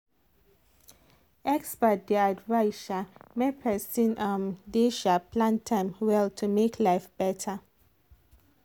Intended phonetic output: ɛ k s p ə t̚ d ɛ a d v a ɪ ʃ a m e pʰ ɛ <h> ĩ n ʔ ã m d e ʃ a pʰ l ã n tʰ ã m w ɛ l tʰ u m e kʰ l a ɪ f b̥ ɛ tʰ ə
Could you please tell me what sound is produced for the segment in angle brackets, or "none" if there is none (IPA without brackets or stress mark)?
s